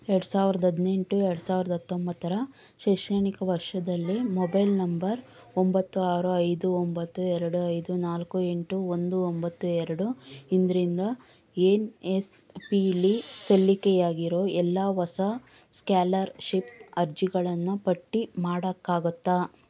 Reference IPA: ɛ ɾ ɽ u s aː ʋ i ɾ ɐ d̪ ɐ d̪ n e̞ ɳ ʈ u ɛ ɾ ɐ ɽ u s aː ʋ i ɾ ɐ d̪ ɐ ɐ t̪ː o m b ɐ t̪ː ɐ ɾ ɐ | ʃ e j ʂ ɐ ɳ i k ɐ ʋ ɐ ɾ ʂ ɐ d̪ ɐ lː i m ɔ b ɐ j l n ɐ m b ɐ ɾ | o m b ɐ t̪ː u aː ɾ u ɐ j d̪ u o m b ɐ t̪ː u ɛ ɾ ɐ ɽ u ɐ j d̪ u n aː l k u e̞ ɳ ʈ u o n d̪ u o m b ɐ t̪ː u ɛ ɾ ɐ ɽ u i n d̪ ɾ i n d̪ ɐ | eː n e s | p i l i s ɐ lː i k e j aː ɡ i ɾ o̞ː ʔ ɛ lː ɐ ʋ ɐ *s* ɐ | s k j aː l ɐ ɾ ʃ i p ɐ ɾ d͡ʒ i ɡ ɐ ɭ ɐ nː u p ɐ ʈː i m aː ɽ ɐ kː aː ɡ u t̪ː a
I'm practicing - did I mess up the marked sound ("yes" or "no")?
no